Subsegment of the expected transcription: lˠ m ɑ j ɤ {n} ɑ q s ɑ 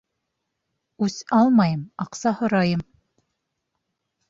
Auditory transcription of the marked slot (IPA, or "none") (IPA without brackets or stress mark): m